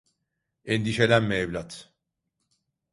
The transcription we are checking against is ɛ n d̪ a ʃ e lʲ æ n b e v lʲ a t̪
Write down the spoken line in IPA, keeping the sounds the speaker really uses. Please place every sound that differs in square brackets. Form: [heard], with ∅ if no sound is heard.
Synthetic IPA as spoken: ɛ n d̪ [i] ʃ e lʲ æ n [m] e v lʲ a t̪